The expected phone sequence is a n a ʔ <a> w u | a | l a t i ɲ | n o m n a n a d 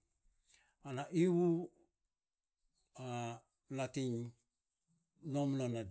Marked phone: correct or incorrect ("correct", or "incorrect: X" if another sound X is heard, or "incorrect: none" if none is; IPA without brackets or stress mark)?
incorrect: i